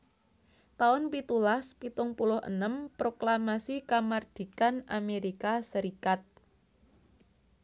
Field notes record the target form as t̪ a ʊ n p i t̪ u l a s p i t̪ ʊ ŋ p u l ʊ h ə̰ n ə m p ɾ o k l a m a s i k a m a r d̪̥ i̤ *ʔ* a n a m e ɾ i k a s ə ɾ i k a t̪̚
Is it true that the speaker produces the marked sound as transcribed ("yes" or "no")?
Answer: no